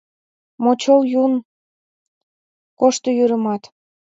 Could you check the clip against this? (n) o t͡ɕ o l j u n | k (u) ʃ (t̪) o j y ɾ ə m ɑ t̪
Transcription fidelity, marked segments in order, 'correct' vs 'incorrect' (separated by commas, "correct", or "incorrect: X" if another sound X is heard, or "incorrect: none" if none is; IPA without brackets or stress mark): incorrect: m, incorrect: o, correct